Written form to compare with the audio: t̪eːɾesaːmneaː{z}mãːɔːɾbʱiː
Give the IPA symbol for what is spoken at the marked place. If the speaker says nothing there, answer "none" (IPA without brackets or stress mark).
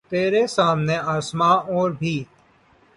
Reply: s